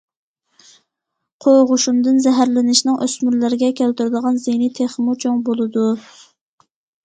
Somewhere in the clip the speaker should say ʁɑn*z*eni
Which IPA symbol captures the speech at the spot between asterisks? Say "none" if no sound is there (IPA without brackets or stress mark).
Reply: z